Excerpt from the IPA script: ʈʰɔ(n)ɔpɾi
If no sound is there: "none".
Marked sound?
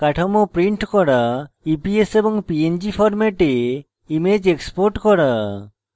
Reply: m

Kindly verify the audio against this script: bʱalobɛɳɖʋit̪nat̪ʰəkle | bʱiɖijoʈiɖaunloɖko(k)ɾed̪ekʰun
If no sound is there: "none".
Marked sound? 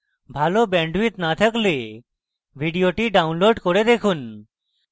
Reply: none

